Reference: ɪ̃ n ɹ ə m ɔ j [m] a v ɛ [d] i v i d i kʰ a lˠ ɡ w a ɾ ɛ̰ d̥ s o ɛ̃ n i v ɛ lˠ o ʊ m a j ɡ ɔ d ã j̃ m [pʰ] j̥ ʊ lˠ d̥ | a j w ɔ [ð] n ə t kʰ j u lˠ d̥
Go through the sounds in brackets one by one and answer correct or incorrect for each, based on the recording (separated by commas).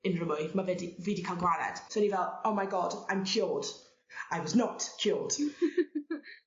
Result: correct, correct, incorrect, incorrect